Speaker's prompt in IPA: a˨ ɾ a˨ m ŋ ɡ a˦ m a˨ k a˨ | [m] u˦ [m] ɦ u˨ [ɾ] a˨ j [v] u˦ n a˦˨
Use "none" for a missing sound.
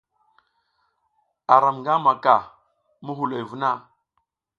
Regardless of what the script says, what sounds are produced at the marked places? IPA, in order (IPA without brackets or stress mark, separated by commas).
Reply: m, none, l, v